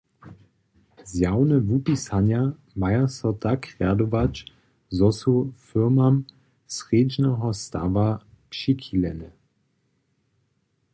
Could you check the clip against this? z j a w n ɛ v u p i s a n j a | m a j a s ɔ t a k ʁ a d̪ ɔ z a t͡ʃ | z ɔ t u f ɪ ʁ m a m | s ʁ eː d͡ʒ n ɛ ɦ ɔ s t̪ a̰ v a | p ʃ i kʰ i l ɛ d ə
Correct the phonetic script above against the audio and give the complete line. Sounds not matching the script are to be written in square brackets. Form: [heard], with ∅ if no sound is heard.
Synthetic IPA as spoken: z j a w n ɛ v u p i s a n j a | m a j a s ɔ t a k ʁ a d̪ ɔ [v] a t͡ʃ | z ɔ [s] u f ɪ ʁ m a m | s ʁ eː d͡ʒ n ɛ ɦ ɔ s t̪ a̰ v a | p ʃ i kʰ i l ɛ [n] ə